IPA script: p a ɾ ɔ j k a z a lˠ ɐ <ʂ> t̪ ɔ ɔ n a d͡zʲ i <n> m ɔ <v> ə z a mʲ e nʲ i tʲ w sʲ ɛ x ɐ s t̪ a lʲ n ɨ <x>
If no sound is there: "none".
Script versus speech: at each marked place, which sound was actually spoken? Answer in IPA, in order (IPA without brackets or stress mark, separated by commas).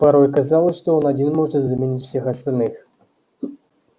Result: ʂ, n, ʐ, x